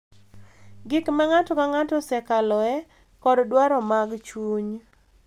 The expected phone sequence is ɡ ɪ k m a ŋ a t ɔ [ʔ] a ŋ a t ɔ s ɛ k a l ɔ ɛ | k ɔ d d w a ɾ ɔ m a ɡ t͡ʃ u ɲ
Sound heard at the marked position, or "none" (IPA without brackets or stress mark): k